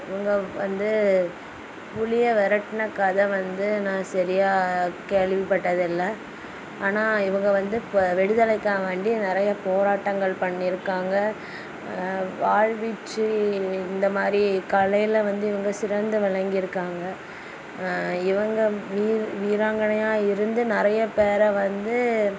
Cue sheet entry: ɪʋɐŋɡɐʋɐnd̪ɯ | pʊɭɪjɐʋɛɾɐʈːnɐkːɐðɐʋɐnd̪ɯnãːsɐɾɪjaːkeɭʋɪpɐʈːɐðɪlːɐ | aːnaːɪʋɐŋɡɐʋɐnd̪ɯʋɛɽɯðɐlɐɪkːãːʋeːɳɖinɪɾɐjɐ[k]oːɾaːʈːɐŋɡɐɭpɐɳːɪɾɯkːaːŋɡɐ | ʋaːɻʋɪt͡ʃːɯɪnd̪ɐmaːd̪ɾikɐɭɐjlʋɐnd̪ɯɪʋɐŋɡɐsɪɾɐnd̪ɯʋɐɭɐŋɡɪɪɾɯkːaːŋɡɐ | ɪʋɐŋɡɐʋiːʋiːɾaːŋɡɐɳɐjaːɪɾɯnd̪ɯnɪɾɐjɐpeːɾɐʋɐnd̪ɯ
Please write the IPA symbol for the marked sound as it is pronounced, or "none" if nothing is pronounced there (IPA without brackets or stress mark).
p